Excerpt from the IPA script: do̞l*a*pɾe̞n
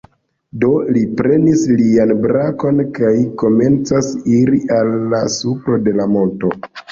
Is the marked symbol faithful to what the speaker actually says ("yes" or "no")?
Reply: no